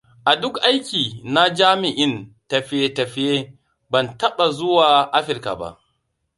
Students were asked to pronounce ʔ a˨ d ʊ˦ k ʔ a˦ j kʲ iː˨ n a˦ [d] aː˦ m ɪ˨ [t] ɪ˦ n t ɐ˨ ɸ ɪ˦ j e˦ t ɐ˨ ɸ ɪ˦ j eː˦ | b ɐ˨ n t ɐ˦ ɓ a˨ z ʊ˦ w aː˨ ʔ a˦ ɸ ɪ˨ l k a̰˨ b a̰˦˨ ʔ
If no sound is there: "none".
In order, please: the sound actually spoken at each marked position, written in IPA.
d͡ʒ, ʔ

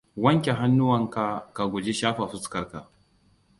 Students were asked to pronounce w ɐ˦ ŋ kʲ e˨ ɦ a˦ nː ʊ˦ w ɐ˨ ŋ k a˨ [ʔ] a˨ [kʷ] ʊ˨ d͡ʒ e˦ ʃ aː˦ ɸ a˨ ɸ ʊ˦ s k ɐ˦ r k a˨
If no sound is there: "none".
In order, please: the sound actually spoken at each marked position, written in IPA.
k, ɡʷ

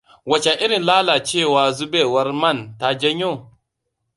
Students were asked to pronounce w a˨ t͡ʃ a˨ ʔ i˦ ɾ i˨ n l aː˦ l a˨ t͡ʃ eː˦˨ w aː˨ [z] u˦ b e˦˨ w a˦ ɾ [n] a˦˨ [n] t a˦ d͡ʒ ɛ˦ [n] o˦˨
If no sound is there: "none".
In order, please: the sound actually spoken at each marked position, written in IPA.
z, m, n, ɲ

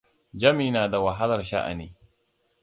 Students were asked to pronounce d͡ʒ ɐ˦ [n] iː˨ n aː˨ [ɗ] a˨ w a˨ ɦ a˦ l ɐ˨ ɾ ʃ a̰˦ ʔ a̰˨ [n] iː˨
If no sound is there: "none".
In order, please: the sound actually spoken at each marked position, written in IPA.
m, d, n

